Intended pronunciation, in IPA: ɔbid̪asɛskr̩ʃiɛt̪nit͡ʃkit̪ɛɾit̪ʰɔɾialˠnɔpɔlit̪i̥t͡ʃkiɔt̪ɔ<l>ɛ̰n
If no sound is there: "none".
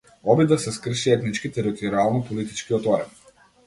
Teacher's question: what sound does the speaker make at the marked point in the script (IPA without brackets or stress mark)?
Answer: ɾ